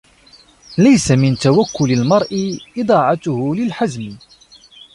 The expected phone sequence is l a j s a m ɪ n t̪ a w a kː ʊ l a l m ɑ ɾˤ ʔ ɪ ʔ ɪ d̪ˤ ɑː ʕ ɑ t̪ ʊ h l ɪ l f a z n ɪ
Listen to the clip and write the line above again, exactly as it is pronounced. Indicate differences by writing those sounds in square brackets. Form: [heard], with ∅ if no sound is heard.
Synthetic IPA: l a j s a m ɪ n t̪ a w a kː ʊ l a l m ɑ ɾˤ ʔ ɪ ʔ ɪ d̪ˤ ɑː ʕ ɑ t̪ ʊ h l ɪ l [ħ] a z [m] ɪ